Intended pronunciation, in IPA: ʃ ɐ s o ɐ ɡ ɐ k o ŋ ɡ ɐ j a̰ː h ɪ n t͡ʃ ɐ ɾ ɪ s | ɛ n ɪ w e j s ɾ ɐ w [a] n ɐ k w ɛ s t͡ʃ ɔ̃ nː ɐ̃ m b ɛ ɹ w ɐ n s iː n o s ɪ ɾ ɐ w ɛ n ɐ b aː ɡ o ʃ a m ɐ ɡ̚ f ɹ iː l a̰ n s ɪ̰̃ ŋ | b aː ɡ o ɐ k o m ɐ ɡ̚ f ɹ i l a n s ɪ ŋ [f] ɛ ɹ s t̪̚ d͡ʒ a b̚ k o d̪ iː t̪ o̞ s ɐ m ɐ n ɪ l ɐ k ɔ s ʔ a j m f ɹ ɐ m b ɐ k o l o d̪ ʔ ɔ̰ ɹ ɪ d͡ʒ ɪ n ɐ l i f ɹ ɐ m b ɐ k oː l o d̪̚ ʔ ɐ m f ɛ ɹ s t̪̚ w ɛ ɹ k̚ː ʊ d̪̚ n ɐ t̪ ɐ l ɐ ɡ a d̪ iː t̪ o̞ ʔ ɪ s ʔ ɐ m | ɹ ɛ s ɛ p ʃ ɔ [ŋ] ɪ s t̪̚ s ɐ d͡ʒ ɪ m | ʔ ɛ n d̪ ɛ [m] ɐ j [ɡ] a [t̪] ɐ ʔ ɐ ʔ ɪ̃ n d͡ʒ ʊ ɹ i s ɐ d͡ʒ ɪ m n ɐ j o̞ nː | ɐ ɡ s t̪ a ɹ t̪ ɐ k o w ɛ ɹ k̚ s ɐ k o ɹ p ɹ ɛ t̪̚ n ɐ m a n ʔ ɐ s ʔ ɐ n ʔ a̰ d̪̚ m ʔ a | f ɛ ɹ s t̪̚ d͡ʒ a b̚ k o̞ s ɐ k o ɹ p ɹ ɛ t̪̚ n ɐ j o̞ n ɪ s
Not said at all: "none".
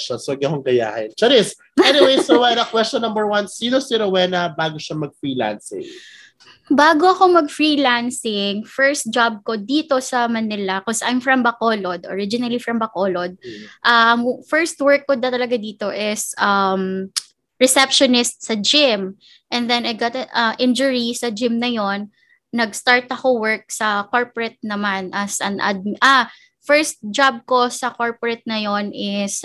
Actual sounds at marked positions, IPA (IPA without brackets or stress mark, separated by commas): ɛ, f, n, n, ɡ, t̪